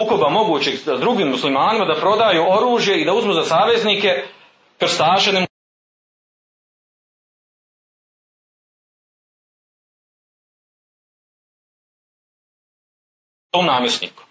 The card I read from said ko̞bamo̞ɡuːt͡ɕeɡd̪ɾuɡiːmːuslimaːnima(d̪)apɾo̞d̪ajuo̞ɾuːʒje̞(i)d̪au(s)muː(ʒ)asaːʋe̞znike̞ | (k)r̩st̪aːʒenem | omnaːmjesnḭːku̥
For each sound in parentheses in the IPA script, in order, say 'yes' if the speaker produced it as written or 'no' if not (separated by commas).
yes, yes, no, no, yes